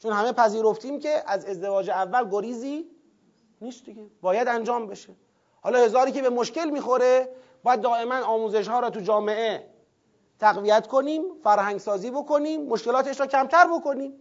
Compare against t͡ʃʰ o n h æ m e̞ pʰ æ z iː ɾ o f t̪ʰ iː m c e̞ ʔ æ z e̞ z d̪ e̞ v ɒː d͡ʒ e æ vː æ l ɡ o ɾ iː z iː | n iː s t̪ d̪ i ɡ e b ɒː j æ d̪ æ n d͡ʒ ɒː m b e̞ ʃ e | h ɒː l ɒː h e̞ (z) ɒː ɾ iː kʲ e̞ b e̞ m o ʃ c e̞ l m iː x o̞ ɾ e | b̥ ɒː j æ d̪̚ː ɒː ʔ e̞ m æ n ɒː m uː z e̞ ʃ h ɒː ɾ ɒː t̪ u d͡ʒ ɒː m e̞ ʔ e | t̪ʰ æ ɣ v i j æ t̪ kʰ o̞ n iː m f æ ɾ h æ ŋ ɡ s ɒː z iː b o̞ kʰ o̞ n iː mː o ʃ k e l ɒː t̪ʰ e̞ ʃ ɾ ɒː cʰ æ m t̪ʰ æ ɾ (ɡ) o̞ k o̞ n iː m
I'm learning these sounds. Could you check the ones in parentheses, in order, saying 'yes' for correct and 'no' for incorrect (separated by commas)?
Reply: yes, no